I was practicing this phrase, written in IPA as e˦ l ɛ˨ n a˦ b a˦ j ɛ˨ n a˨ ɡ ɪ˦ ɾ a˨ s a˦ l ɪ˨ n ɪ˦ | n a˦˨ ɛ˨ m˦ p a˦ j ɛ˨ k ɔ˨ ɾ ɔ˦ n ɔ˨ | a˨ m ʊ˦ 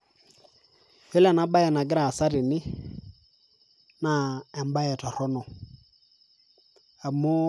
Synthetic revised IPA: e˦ l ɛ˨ n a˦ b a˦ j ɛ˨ n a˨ ɡ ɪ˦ ɾ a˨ s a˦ ɾ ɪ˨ n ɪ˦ | n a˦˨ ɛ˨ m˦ b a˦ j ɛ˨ t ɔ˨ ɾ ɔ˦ n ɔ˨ | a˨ m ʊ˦